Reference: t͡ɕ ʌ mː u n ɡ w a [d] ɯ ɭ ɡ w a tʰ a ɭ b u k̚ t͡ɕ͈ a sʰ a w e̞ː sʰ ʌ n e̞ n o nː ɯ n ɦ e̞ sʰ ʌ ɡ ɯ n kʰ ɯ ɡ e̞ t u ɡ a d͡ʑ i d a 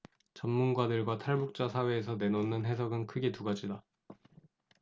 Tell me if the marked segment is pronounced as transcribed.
yes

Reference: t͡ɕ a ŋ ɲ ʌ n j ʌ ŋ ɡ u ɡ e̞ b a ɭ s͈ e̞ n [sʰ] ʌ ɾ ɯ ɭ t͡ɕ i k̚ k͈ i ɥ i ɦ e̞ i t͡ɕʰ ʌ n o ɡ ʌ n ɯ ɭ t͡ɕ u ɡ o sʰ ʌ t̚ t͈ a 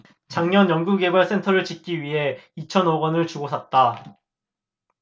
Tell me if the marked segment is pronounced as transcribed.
no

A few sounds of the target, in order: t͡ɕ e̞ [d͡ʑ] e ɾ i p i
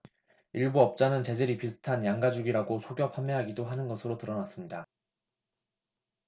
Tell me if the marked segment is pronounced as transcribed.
yes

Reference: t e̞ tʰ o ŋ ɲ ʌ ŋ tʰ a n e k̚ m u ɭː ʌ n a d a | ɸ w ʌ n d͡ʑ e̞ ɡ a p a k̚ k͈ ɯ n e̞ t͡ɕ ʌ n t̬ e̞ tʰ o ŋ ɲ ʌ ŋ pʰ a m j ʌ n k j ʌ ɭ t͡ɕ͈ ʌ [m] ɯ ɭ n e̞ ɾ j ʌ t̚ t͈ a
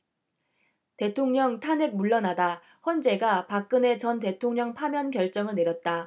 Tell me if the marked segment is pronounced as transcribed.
no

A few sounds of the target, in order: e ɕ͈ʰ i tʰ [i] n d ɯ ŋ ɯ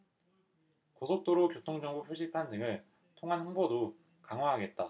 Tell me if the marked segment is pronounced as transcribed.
no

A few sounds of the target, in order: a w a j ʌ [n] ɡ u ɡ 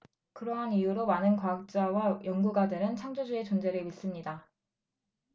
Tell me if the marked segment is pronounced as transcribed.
no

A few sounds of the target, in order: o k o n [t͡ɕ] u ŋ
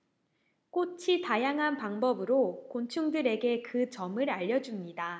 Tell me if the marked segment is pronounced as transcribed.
no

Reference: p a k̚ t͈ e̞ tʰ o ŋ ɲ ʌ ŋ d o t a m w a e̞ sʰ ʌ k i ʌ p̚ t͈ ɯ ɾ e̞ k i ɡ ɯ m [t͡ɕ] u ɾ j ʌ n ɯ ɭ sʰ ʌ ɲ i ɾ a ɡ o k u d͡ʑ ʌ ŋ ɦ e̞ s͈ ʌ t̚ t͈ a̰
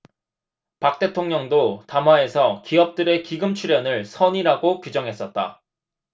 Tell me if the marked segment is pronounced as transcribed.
no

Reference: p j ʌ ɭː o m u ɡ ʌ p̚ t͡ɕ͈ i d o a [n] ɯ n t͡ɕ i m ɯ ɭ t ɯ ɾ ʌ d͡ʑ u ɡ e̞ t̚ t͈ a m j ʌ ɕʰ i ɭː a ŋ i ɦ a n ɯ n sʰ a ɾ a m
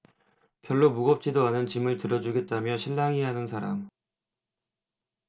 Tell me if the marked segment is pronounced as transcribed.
yes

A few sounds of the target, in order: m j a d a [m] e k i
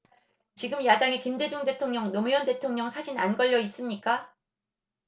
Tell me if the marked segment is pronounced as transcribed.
no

